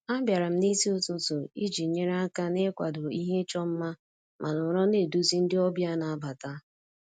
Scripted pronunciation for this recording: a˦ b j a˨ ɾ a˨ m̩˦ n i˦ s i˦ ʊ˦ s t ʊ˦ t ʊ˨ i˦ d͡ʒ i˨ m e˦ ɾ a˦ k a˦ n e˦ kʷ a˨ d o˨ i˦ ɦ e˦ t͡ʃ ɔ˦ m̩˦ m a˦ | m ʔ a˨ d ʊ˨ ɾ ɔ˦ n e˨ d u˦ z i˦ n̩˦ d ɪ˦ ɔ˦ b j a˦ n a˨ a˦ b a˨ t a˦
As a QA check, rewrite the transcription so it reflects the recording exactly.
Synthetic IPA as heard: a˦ b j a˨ ɾ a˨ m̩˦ n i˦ s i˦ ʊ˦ t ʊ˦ t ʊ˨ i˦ d͡ʒ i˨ ɲ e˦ ɾ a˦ k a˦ n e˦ kʷ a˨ d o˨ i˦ ɦ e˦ t͡ʃ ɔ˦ m̩˦ m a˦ | m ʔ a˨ n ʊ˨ ɾ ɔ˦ n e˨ d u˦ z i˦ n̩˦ d ɪ˦ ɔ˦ b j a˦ n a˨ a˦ b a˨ t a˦